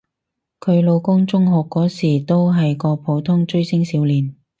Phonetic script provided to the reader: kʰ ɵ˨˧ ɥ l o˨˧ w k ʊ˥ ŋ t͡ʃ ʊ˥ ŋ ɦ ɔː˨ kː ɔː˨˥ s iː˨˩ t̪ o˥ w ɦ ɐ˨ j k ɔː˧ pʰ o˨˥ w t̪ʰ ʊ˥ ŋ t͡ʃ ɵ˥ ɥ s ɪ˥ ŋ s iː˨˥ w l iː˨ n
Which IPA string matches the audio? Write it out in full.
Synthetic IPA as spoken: kʰ ɵ˨˧ ɥ l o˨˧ w k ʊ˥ ŋ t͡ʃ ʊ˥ ŋ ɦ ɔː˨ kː ɔː˨˥ s iː˨˩ t̪ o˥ w ɦ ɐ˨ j k ɔː˧ pʰ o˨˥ w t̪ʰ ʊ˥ ŋ t͡ʃ ɵ˥ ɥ s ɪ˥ ŋ s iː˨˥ w l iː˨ n